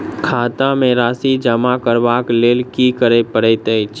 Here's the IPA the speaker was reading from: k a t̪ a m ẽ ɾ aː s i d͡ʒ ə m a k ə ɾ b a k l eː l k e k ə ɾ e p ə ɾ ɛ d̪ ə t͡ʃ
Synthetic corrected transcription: kʰ a t̪ a m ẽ ɾ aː s i d͡ʒ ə m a k ə ɾ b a k l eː l k i k ə ɾ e p ə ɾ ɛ t̪ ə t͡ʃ